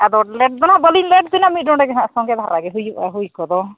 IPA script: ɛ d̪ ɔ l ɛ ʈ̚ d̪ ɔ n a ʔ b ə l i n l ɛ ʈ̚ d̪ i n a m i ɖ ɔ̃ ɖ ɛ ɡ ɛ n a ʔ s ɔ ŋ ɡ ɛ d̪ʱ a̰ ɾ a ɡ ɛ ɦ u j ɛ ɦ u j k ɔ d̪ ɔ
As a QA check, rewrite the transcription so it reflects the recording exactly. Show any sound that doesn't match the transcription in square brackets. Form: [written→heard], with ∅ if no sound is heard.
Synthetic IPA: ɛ d̪ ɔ l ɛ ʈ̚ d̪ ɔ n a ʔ b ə l i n l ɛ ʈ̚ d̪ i n a m i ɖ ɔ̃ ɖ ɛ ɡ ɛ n a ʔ s ɔ ŋ ɡ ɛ d̪ʱ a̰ ɾ a ɡ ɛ ɦ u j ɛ ɦ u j k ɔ d̪ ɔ